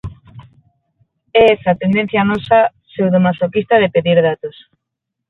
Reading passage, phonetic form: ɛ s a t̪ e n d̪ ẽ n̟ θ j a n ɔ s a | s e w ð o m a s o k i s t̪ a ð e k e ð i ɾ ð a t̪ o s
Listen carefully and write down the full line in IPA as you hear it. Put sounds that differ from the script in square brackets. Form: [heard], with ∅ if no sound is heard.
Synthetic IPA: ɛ s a t̪ e n d̪ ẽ n̟ θ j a n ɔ s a | s e w ð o m a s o k i s t̪ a ð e [p] e ð i ɾ ð a t̪ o s